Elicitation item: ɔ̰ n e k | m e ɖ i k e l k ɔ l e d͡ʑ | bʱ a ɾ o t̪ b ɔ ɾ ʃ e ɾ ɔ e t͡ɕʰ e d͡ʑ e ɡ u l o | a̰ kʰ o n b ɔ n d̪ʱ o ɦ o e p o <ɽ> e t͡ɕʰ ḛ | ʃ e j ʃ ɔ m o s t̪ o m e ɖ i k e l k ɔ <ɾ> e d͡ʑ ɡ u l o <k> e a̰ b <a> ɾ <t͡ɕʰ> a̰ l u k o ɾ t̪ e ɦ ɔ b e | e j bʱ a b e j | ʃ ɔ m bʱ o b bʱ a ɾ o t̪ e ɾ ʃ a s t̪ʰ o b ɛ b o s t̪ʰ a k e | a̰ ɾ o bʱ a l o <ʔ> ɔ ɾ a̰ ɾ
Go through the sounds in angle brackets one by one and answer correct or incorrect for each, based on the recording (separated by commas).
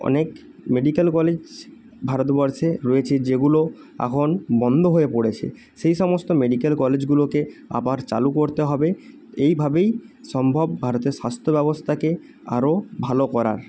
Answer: correct, incorrect, correct, correct, incorrect, incorrect